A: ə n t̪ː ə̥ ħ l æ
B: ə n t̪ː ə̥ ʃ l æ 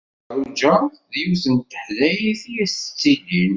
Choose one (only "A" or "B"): A